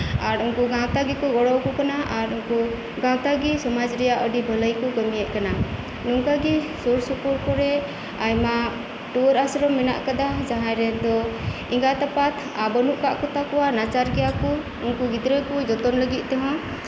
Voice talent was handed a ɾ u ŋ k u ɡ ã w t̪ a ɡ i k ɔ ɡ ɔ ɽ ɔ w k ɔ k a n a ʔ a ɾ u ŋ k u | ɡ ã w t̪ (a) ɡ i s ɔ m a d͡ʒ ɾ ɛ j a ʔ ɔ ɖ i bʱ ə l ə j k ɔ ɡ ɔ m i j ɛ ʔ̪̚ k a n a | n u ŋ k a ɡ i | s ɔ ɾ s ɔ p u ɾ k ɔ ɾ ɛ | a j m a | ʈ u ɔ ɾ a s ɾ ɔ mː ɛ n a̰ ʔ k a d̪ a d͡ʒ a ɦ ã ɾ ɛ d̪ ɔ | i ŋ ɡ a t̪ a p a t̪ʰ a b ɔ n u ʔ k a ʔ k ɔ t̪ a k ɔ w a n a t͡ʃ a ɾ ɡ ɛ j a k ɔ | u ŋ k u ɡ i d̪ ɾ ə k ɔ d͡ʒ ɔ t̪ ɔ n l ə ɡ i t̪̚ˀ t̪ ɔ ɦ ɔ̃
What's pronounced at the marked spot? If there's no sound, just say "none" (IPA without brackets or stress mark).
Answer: a